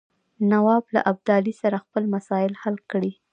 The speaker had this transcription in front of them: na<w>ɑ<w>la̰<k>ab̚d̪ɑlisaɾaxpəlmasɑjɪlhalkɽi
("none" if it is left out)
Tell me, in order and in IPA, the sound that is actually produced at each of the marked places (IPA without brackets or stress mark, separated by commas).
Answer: w, b, ʔ